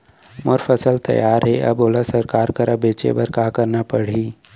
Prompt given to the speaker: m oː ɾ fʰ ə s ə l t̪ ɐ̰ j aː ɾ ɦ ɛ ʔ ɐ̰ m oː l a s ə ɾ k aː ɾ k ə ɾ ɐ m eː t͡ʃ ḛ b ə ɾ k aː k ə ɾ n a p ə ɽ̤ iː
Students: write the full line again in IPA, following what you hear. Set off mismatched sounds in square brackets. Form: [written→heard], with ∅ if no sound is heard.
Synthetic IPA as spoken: m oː ɾ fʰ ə s ə l t̪ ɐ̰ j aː ɾ ɦ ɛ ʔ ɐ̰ [m→b] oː l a s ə ɾ k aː ɾ k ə ɾ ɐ [m→b] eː t͡ʃ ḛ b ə ɾ k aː k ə ɾ n a p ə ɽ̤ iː